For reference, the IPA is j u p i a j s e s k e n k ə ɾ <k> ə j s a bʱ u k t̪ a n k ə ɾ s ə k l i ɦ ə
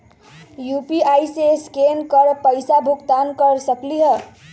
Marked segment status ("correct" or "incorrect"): incorrect